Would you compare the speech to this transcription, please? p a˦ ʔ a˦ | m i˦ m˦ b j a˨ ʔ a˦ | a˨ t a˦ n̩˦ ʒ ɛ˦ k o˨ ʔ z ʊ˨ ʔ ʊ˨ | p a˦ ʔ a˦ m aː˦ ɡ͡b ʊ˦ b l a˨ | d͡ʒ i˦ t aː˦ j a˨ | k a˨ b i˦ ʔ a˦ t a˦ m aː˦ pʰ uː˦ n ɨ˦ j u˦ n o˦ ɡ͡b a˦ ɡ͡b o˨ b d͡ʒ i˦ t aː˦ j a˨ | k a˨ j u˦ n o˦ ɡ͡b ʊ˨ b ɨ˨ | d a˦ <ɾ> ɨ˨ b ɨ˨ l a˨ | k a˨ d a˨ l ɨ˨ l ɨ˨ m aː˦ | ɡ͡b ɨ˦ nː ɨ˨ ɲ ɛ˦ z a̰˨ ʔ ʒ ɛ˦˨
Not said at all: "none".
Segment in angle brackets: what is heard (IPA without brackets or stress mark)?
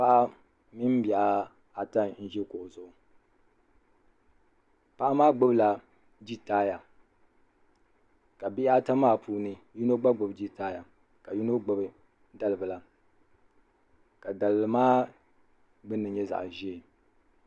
l